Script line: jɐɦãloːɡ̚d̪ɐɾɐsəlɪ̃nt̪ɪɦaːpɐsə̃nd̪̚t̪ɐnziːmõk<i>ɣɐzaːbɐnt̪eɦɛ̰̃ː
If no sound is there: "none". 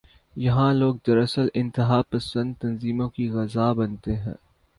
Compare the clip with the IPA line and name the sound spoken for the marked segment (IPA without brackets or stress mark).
i